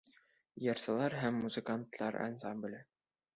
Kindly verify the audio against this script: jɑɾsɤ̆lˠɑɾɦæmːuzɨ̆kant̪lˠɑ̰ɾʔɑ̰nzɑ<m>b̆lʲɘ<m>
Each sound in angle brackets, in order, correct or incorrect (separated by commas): correct, incorrect